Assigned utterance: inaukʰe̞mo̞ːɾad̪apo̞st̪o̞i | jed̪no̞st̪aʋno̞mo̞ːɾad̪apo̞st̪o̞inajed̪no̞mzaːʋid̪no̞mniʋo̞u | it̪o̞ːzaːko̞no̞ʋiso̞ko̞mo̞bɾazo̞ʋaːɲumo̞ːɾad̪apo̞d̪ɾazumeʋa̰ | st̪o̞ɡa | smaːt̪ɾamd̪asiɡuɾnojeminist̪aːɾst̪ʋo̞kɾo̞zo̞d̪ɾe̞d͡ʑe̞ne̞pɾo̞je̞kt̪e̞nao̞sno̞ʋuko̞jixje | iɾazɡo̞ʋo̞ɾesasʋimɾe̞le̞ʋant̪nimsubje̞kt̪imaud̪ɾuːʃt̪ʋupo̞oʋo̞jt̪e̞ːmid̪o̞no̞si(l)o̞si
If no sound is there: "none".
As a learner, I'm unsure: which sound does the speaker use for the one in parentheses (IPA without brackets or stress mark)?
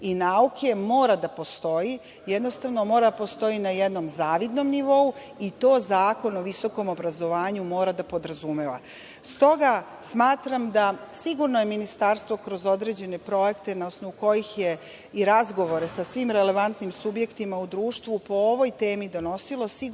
l